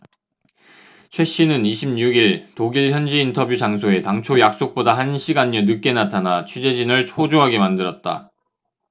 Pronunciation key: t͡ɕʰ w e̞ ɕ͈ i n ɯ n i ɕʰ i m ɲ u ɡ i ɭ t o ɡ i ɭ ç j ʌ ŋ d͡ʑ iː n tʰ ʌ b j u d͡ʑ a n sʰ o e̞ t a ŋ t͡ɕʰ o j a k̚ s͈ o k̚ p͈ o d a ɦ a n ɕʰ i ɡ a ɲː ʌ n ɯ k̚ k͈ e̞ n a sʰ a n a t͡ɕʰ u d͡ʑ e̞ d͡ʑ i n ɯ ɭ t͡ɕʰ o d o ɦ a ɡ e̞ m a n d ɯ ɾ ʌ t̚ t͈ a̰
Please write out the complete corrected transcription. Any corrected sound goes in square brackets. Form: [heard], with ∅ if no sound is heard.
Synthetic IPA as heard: t͡ɕʰ w e̞ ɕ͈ i n ɯ n i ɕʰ i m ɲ u ɡ i ɭ t o ɡ i ɭ ç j ʌ [n] d͡ʑ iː n tʰ ʌ b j u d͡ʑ a [ŋ] sʰ o e̞ t a ŋ t͡ɕʰ o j a k̚ s͈ o k̚ p͈ o d a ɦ a n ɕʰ i ɡ a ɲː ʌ n ɯ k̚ k͈ e̞ n a [tʰ] a n a t͡ɕʰ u d͡ʑ e̞ d͡ʑ i n ɯ ɭ t͡ɕʰ o [d͡ʑ] o ɦ a ɡ e̞ m a n d ɯ ɾ ʌ t̚ t͈ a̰